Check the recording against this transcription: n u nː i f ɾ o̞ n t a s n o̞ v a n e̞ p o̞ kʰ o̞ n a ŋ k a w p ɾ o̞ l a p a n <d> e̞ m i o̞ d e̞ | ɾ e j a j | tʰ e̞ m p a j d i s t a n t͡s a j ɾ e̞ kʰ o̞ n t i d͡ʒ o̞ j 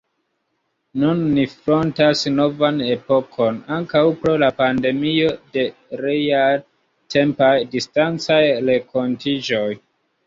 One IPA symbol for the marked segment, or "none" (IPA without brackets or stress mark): d